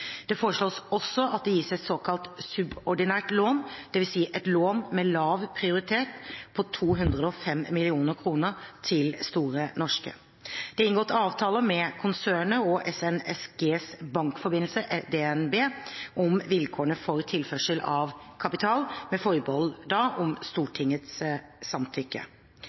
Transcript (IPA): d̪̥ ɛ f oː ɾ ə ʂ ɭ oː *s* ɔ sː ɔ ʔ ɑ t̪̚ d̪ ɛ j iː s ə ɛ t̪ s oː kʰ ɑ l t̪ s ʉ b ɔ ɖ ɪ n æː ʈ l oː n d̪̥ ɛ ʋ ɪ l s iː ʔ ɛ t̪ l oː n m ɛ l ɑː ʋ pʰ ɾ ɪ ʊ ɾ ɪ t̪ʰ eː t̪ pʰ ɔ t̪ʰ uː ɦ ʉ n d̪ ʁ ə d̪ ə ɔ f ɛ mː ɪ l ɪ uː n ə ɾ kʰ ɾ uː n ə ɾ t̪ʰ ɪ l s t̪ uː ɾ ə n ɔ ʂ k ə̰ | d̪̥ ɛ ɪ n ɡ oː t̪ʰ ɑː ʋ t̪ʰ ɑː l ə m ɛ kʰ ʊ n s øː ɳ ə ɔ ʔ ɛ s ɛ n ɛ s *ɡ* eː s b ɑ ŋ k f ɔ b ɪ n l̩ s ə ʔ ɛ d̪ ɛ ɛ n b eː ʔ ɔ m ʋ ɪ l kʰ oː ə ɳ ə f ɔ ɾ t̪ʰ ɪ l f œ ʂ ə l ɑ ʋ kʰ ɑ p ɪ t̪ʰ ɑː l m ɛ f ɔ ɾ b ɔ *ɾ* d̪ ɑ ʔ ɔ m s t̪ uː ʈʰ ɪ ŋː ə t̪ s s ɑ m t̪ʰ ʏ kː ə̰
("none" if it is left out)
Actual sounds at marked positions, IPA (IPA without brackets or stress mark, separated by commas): s, ɡ, l